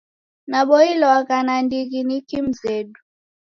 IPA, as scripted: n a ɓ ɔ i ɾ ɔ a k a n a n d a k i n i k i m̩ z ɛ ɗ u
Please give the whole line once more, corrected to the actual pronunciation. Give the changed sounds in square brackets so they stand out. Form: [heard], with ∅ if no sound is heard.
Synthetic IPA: n a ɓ ɔ i [l] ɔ a k a n a n d [i] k i n i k i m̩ z ɛ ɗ u